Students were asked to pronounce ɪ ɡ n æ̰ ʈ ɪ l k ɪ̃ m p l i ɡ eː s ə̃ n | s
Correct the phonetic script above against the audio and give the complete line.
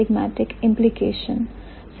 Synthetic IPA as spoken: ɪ ɡ m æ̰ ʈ ɪ k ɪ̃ m p l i k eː ʃ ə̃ n | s